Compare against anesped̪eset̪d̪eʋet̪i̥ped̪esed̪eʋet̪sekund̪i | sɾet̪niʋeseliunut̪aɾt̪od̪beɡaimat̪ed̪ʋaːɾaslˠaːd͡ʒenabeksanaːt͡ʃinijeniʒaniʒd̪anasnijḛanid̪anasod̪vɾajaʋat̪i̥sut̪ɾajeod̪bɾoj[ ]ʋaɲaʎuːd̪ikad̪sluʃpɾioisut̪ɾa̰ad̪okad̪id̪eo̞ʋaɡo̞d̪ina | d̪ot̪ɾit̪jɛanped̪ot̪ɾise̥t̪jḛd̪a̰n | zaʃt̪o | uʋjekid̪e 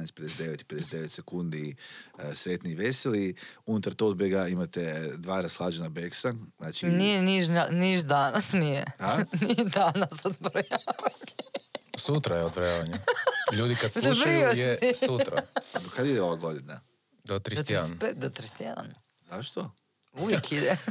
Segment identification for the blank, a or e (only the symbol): a